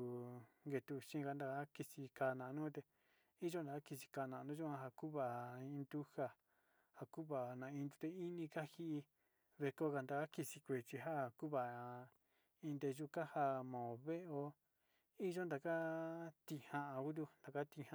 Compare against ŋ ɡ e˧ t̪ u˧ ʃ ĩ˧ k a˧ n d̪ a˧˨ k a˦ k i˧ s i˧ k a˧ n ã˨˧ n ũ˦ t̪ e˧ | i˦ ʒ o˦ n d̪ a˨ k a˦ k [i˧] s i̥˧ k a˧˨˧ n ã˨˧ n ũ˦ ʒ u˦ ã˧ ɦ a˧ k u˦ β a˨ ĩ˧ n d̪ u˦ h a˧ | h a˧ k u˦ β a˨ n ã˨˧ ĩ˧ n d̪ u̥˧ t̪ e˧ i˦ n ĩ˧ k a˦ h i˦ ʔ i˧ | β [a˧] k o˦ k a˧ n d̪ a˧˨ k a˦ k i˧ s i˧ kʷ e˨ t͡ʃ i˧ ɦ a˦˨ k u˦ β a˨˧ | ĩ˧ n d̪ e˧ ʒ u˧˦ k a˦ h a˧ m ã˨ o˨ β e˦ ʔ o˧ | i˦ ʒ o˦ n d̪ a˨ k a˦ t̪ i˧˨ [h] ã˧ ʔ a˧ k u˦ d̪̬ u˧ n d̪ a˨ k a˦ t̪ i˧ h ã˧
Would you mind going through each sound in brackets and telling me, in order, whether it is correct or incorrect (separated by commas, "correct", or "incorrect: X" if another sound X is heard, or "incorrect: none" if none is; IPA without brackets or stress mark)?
correct, incorrect: e˧, correct